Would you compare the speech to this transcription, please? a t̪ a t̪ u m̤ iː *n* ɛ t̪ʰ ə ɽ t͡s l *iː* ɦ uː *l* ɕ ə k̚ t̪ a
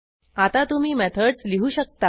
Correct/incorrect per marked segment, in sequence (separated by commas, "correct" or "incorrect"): incorrect, incorrect, incorrect